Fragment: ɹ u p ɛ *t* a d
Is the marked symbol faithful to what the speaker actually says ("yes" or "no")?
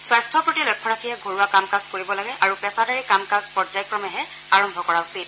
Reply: no